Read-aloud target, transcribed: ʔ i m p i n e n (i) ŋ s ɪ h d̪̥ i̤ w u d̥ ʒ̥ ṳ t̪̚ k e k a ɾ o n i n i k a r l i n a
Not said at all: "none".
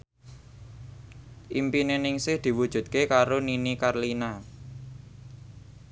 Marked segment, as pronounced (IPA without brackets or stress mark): ɪ